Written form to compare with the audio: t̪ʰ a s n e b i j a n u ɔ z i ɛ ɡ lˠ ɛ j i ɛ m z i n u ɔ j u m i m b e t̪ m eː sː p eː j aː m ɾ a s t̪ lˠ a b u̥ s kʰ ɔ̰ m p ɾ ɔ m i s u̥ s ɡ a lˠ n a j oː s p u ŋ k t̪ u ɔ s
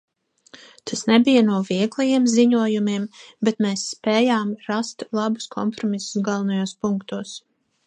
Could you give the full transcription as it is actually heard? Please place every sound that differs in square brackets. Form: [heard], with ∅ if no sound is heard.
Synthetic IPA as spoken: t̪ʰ a s n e b i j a n u ɔ [v] i ɛ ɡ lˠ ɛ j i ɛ m z i [ɲ] u ɔ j u m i m b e t̪ m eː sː p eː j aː m ɾ a s t̪ lˠ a b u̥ s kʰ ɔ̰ m p ɾ ɔ m i s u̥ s ɡ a lˠ n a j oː s p u ŋ k t̪ u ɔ s